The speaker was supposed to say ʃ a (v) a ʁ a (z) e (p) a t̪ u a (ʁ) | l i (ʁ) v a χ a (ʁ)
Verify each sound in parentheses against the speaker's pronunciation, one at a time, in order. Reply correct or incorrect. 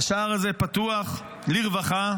incorrect: none, correct, correct, incorrect: χ, correct, incorrect: none

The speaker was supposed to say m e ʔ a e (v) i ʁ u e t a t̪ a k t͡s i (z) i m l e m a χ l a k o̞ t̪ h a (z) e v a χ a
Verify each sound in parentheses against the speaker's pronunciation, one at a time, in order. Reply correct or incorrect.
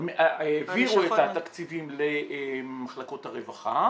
correct, incorrect: v, incorrect: ʁ

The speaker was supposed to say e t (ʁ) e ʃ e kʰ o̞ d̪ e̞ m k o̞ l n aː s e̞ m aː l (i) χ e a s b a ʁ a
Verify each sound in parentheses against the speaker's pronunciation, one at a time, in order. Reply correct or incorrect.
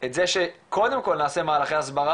incorrect: z, incorrect: a

